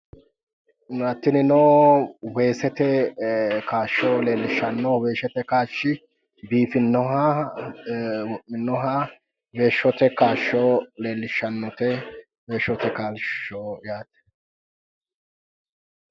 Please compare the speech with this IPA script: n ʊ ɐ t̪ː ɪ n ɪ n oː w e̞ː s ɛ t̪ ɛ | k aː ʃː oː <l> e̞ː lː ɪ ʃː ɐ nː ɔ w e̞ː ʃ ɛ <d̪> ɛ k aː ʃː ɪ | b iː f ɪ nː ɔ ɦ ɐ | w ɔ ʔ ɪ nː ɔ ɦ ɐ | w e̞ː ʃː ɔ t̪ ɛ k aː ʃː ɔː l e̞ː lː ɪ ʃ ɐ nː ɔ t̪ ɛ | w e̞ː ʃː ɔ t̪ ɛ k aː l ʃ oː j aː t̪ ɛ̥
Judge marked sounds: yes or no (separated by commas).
yes, no